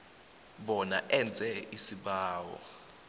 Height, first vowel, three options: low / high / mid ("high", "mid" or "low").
mid